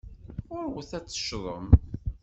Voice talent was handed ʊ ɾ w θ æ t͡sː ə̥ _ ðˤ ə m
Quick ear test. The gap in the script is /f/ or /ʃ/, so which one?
ʃ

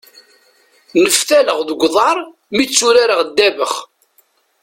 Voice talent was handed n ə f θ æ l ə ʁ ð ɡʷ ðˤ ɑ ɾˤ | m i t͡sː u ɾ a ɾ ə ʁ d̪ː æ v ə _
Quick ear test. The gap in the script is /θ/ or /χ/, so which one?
χ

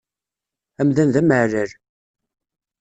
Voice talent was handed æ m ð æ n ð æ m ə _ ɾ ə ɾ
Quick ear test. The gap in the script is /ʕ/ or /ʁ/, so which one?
ʕ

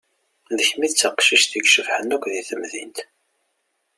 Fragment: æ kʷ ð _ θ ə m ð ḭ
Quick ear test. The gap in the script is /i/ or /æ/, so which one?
i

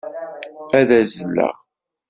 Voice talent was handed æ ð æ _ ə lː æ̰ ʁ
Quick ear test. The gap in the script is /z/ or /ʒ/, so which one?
z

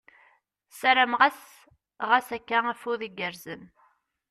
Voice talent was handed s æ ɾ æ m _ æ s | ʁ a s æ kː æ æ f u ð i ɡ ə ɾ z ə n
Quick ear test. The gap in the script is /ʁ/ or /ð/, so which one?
ʁ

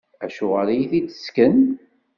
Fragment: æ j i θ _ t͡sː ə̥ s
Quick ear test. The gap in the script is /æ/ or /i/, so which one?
i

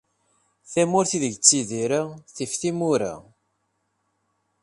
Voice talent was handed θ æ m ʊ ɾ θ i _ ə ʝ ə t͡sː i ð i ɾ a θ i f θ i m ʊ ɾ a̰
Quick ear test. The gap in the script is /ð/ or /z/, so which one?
ð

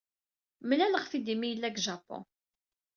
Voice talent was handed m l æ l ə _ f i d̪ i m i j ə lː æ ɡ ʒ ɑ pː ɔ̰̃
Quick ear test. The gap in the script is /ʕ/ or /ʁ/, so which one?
ʁ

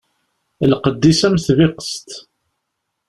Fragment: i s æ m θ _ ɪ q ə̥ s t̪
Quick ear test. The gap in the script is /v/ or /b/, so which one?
v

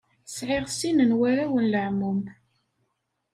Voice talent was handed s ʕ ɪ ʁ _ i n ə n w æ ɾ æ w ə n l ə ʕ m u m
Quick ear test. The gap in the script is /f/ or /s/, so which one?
s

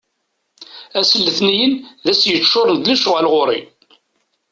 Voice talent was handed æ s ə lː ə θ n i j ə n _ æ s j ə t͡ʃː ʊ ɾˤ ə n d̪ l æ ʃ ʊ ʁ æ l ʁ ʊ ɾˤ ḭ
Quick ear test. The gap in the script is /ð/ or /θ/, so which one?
ð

